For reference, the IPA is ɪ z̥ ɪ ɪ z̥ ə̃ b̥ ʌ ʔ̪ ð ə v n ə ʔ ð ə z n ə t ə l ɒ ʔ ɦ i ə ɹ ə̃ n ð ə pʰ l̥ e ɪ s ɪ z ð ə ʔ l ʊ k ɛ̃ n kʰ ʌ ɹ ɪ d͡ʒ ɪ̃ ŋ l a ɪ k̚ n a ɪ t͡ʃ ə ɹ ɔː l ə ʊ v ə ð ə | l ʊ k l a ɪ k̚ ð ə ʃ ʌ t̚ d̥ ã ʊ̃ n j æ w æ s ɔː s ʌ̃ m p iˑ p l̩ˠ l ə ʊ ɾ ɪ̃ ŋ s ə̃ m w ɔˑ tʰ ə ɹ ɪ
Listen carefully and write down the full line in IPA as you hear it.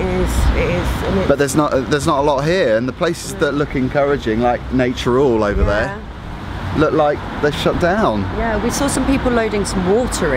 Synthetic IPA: ɪ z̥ ɪ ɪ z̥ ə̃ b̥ ʌ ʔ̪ ð ə z n ə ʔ ð ə z n ə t ə l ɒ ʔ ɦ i ə ɹ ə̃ n ð ə pʰ l̥ e ɪ s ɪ z ð ə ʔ l ʊ k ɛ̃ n kʰ ʌ ɹ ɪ d͡ʒ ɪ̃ ŋ l a ɪ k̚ n e ɪ t͡ʃ ə ɹ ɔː l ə ʊ v ə ð ə | l ʊ k l a ɪ k̚ ð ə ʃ ʌ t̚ d̥ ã ʊ̃ n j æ w i s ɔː s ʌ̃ m p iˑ p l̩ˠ l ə ʊ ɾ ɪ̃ ŋ s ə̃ m w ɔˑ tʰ ə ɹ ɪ